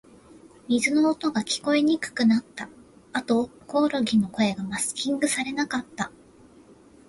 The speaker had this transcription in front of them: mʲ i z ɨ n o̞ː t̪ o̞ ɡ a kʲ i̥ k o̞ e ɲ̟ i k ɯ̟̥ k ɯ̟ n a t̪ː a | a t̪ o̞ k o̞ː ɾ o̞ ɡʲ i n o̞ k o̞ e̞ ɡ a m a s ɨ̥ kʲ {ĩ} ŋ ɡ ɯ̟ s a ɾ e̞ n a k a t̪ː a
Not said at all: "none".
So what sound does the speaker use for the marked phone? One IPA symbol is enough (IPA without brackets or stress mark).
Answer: ĩ